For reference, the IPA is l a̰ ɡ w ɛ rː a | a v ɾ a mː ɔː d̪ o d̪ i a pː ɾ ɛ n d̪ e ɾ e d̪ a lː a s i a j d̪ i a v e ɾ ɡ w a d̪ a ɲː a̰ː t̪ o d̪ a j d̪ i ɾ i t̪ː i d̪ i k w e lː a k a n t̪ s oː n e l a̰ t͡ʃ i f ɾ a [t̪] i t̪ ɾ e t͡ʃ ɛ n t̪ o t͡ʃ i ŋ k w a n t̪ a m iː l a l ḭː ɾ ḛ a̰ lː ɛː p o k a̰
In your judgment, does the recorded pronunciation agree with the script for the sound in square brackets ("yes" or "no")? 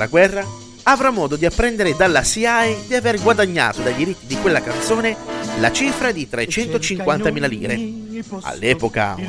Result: no